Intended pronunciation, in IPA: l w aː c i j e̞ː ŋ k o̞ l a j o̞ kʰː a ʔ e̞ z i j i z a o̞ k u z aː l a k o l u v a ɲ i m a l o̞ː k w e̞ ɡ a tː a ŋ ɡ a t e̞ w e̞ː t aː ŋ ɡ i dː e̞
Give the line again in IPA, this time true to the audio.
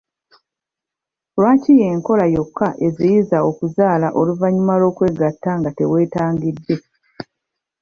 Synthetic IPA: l w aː c i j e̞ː ŋ k o̞ l a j o̞ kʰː a ʔ e̞ z i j i z a o̞ k u z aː l a ʔ o l u v a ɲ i m a l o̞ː k w e̞ ɡ a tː a ŋ ɡ a t e̞ w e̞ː t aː ŋ ɡ i dː e̞